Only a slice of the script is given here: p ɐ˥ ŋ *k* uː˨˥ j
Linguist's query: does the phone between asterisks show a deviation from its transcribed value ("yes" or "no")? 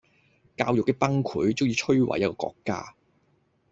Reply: yes